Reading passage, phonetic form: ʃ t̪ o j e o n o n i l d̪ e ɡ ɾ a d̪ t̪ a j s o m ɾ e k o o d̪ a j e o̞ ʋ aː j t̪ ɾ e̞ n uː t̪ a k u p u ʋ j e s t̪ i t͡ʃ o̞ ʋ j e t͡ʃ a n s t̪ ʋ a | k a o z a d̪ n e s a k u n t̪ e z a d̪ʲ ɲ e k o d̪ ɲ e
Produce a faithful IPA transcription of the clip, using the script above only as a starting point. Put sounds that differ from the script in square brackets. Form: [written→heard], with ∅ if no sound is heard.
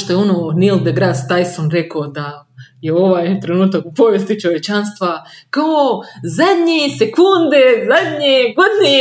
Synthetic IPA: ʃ t̪ o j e o n o n i l d̪ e ɡ ɾ a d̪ t̪ a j s o [m→n] ɾ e k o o d̪ a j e o̞ ʋ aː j t̪ ɾ e̞ n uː t̪ a k u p [u→o] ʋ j e s t̪ i t͡ʃ o̞ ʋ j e t͡ʃ a n s t̪ ʋ a | k a o z a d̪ [n→ɲ] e s [a→e] k u n [t̪→d̪] e z a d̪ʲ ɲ e [k→ɡ] o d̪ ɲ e